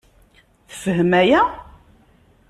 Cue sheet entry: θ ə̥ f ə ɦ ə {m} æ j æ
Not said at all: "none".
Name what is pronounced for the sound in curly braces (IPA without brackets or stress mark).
m